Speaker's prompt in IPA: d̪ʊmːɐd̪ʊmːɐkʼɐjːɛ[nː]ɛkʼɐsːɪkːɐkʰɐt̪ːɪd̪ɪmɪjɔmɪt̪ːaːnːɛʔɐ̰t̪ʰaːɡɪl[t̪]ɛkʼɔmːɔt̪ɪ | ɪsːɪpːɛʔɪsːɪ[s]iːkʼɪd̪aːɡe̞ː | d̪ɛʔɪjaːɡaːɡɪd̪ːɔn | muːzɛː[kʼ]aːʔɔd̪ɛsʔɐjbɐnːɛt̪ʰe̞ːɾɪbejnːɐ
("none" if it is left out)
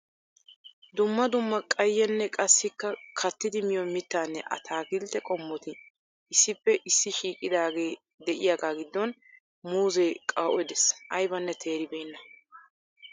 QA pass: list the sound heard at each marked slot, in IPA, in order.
nː, t̪, ʃ, kʼ

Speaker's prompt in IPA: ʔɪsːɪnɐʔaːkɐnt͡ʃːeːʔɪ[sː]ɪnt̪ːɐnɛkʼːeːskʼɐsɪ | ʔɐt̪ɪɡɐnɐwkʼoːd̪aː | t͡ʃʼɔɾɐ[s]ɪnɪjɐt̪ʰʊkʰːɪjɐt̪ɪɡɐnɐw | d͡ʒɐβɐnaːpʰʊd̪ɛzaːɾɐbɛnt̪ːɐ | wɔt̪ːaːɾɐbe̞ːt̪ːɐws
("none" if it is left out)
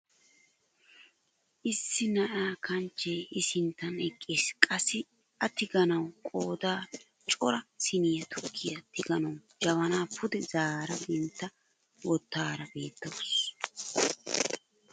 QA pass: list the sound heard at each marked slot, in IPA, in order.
s, s

